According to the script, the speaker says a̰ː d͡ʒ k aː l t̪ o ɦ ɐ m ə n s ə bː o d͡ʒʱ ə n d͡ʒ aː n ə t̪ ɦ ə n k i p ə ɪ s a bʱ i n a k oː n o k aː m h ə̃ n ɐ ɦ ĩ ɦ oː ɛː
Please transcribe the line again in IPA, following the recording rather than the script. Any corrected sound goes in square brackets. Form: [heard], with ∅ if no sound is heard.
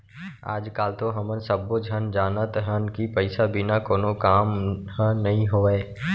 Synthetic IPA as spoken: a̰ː d͡ʒ k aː l t̪ o ɦ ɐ m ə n s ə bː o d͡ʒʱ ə n d͡ʒ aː n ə t̪ ɦ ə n k i p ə ɪ s a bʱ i n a k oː n o k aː m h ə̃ n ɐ ɦ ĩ ɦ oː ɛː